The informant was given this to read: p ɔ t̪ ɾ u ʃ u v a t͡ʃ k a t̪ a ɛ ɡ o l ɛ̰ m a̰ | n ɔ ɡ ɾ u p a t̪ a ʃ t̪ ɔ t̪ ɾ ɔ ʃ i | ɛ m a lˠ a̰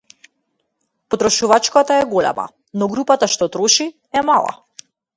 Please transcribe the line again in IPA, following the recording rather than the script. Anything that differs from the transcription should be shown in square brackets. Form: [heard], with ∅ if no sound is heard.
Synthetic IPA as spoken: p ɔ t̪ ɾ [ɔ] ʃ u v a t͡ʃ k a t̪ a ɛ ɡ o l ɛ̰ m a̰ | n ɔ ɡ ɾ u p a t̪ a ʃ t̪ ɔ t̪ ɾ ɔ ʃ i | ɛ m a lˠ a̰